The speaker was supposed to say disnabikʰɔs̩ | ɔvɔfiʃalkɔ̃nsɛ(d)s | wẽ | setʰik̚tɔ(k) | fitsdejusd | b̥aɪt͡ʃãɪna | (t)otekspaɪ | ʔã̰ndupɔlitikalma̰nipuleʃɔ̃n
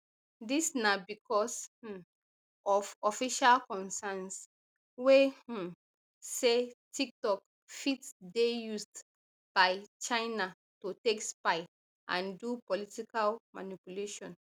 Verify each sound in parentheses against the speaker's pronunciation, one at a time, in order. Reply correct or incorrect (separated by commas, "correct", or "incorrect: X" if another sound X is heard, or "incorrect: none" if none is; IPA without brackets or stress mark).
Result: incorrect: n, correct, correct